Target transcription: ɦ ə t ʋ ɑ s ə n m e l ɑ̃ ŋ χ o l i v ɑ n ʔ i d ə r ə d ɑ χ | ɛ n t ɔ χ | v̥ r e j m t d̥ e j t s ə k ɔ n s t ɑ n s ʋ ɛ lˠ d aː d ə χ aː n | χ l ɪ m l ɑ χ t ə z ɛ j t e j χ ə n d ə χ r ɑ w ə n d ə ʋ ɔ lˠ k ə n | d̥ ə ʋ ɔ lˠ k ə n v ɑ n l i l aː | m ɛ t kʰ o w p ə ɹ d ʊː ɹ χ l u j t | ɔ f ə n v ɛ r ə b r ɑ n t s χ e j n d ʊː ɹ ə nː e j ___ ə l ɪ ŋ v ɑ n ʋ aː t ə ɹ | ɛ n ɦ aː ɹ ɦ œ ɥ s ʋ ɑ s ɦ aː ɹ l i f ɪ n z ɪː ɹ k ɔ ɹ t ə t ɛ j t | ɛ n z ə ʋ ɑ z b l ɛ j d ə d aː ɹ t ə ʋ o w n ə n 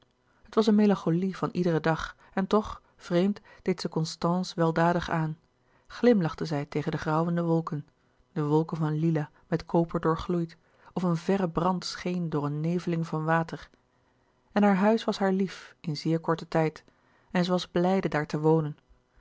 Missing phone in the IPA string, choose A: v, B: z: A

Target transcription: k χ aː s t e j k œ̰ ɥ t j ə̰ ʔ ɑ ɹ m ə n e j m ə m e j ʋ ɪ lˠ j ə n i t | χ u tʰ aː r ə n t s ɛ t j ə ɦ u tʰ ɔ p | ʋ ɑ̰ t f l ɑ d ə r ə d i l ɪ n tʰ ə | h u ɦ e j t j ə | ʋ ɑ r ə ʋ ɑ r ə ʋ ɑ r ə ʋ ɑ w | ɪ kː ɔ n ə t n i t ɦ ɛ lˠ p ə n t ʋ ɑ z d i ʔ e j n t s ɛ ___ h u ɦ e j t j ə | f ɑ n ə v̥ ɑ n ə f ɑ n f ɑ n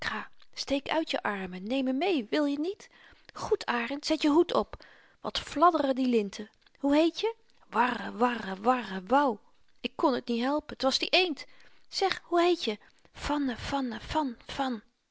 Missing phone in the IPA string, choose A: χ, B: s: A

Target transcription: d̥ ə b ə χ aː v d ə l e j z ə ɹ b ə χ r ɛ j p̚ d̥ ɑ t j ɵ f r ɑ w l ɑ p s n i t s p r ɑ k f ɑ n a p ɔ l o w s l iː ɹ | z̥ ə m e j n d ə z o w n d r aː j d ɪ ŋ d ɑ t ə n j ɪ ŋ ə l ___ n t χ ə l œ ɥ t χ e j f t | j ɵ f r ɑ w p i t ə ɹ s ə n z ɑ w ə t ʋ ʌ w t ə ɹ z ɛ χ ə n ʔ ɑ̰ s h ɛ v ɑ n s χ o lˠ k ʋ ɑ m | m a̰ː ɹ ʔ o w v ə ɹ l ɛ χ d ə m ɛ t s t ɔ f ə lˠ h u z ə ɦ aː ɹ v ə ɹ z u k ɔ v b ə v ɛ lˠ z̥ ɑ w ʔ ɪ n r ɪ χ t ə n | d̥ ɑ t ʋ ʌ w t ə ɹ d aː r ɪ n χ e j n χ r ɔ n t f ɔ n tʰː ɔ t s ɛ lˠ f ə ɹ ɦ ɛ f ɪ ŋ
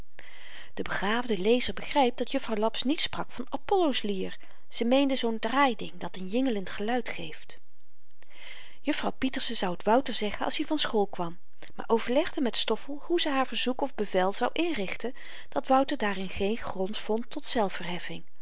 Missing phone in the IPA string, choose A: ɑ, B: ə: B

